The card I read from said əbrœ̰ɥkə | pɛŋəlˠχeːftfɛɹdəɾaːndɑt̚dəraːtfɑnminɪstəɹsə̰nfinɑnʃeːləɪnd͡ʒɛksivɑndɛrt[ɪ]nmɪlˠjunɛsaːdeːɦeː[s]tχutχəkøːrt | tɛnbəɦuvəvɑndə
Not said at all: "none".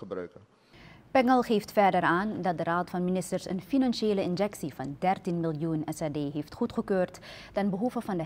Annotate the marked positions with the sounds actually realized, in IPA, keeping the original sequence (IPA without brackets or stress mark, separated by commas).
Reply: i, f